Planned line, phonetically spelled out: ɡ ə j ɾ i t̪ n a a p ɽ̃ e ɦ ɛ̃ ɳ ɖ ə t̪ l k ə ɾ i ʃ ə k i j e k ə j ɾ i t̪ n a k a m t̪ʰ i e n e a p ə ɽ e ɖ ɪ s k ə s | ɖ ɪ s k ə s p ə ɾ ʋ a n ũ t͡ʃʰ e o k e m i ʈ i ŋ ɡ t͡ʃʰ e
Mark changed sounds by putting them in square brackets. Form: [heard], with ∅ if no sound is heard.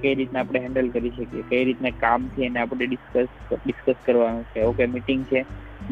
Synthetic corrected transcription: [k] ə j ɾ i t̪ n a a p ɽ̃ e ɦ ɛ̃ ɳ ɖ ə [∅] l k ə ɾ i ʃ ə k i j e k ə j ɾ i t̪ n a k a m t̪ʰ i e n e a p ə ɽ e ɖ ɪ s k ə s | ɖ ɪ s k ə s [k] ə ɾ ʋ a n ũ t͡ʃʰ e o k e m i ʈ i ŋ ɡ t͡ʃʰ e